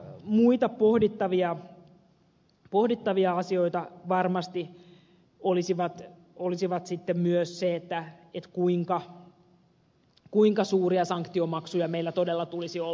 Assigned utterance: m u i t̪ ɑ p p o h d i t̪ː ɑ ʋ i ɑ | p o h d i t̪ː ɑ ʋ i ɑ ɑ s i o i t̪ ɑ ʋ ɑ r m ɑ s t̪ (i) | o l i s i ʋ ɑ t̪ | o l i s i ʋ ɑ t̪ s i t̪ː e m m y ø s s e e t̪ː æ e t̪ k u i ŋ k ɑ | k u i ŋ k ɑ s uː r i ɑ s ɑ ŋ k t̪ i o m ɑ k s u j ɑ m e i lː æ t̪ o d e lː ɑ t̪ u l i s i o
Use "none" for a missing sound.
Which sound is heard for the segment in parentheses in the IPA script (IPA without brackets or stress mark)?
i